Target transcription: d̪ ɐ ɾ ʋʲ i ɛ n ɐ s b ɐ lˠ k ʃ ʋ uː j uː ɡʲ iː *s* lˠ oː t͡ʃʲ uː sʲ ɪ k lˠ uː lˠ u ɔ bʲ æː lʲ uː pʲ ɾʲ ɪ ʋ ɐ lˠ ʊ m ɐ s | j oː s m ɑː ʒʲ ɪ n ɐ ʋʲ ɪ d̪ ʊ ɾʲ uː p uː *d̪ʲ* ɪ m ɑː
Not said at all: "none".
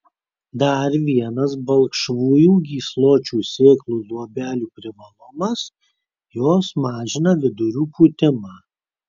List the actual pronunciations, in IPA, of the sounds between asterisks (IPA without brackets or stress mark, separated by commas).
s, t̪ʲ